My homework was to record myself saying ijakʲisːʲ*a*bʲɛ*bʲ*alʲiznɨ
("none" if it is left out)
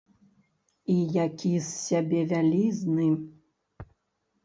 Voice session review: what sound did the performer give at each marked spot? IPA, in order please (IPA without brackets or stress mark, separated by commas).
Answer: a, vʲ